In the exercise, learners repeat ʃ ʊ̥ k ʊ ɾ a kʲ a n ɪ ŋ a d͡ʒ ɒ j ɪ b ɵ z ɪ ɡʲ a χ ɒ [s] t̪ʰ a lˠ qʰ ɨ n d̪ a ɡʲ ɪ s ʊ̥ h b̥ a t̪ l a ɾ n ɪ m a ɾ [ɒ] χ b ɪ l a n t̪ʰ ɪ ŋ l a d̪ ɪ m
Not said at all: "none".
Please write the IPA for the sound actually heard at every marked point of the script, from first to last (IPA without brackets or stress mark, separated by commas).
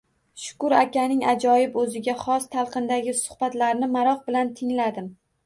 s, ɒ